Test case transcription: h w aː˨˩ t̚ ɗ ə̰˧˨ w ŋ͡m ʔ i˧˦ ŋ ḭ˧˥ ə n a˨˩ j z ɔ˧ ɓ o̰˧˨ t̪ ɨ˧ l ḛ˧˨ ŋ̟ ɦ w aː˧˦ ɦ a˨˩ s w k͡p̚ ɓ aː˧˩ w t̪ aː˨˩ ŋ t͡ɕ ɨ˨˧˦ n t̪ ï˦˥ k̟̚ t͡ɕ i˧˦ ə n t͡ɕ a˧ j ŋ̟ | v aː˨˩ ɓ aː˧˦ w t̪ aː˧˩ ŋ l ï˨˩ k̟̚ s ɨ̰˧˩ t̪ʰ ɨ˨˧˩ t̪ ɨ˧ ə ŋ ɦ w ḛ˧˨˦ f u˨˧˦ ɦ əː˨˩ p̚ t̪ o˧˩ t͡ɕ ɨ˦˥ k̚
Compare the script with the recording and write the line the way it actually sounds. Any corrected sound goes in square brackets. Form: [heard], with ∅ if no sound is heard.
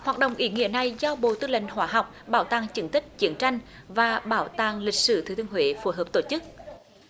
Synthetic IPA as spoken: h w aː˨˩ t̚ ɗ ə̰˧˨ w ŋ͡m ʔ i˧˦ ŋ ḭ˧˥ ə n a˨˩ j z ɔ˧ ɓ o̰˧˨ t̪ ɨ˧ l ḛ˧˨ ŋ̟ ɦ w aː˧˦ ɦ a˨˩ [∅] w k͡p̚ ɓ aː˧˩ w t̪ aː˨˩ ŋ t͡ɕ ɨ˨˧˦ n t̪ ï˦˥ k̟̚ t͡ɕ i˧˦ ə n t͡ɕ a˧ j ŋ̟ | v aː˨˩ ɓ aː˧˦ w t̪ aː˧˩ ŋ l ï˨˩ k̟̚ s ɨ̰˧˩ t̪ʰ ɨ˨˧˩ t̪ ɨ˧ ə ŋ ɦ w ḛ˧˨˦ f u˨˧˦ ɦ əː˨˩ p̚ t̪ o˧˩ t͡ɕ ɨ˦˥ k̚

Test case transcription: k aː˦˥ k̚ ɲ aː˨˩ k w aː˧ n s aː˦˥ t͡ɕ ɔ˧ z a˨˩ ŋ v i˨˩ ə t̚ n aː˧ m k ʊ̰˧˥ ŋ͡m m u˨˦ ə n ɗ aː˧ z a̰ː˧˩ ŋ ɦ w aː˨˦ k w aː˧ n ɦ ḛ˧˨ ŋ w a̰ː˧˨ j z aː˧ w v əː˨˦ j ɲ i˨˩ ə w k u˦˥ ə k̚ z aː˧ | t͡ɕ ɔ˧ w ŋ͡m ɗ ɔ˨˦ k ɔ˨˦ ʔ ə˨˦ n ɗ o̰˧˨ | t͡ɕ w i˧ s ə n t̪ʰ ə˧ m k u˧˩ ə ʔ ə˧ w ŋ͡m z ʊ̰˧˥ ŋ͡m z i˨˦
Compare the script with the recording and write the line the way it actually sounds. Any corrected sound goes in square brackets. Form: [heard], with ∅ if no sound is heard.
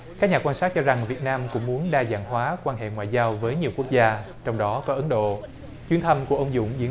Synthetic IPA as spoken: k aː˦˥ k̚ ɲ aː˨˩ k w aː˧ n s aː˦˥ t͡ɕ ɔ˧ z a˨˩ ŋ v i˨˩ ə t̚ n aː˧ m k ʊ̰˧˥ ŋ͡m m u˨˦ ə n ɗ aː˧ z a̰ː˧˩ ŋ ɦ w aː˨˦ k w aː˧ n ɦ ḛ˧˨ ŋ w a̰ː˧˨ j z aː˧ w v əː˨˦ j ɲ i˨˩ ə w k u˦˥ ə k̚ z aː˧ | t͡ɕ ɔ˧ w ŋ͡m ɗ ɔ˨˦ k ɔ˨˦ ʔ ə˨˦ n ɗ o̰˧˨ | t͡ɕ w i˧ [∅] ə n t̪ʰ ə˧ m k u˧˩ ə ʔ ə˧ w ŋ͡m z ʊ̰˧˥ ŋ͡m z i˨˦

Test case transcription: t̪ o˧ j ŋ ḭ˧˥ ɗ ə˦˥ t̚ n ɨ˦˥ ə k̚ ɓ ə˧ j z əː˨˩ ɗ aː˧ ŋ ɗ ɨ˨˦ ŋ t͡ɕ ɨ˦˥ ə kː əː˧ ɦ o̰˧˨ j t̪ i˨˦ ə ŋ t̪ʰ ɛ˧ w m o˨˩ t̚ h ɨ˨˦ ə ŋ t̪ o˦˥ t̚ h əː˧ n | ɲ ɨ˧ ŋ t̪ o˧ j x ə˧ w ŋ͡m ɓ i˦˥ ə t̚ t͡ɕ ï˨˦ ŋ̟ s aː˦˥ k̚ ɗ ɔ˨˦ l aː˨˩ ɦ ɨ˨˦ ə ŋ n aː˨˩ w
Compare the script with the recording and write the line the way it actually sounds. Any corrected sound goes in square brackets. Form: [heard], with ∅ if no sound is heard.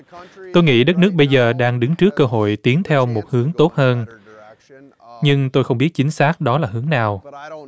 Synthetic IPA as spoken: t̪ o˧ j ŋ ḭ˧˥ ɗ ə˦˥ t̚ n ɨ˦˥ ə k̚ ɓ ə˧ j z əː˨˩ ɗ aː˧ ŋ ɗ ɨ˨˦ ŋ t͡ɕ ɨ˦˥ ə kː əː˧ ɦ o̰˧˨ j t̪ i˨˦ ə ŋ t̪ʰ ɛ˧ w m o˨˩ t̚ h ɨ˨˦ ə ŋ t̪ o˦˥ t̚ h əː˧ n | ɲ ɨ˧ ŋ t̪ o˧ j x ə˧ w ŋ͡m ɓ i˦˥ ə t̚ t͡ɕ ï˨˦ ŋ̟ s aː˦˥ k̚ ɗ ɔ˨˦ l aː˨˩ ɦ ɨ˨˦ ə ŋ n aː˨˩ w

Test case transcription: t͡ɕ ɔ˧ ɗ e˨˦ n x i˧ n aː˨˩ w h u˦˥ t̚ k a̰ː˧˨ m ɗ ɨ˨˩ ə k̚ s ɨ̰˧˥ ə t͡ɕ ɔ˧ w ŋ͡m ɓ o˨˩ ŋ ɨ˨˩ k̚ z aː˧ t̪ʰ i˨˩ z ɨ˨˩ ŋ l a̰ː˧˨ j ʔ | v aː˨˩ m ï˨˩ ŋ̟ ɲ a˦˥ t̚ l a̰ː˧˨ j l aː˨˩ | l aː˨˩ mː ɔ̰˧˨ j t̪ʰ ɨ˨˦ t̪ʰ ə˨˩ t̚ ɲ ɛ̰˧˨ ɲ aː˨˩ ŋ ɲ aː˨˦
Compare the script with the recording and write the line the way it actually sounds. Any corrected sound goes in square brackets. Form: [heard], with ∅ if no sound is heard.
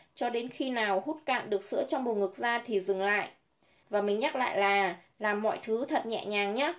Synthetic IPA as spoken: t͡ɕ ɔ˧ ɗ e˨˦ n x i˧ n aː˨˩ w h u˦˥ t̚ k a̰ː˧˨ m ɗ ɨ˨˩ ə k̚ s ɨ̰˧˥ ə t͡ɕ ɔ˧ w ŋ͡m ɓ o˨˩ ŋ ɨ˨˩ k̚ z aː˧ t̪ʰ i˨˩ z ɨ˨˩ ŋ l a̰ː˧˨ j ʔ | v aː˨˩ m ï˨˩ ŋ̟ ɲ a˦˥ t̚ l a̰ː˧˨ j l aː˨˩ | l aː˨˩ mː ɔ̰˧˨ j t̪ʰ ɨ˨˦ t̪ʰ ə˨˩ t̚ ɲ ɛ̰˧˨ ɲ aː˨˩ ŋ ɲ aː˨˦

